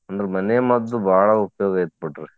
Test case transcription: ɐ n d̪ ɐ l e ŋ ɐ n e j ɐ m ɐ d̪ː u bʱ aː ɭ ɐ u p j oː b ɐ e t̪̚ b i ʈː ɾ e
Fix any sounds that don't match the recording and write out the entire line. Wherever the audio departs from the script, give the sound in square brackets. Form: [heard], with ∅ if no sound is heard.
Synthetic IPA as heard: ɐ n d̪ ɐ [ɾ] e [m] ɐ n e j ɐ m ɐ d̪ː u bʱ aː ɭ ɐ u p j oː [ɡ] ɐ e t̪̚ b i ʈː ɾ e